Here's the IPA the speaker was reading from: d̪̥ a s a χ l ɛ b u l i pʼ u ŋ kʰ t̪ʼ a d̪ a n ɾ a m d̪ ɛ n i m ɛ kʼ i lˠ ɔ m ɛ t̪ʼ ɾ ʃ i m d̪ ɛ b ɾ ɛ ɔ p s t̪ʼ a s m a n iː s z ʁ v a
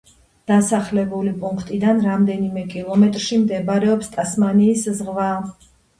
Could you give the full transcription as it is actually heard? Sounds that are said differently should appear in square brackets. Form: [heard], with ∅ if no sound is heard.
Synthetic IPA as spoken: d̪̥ a s a χ l ɛ b u l i pʼ u ŋ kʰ t̪ʼ [i] d̪ a n ɾ a m d̪ ɛ n i m ɛ kʼ i lˠ ɔ m ɛ t̪ʼ ɾ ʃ i m d̪ ɛ b ɾ ɛ ɔ p s t̪ʼ a s m a n iː s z ʁ v a